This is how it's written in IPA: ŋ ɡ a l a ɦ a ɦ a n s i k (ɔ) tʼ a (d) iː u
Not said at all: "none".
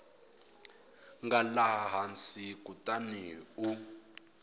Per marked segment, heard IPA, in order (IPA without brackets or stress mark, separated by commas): u, n